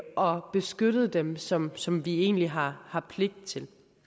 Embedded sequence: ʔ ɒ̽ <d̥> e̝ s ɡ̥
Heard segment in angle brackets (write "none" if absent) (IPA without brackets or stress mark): b̥